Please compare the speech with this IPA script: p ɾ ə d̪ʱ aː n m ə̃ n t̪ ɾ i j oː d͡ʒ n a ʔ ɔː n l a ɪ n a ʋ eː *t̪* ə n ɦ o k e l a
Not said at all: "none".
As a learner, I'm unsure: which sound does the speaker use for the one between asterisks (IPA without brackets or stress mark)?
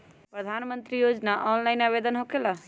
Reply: d̪